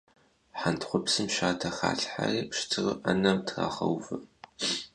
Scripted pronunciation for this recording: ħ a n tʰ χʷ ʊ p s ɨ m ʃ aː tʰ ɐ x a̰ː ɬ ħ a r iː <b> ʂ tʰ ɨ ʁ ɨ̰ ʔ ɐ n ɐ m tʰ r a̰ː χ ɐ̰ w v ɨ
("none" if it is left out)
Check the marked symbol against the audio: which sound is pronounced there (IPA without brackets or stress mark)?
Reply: p